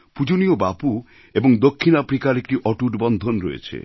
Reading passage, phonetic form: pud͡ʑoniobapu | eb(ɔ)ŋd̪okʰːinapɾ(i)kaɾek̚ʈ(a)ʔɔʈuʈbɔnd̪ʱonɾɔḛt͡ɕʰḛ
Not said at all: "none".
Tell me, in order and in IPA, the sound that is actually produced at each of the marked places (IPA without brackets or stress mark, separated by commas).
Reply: o, i, i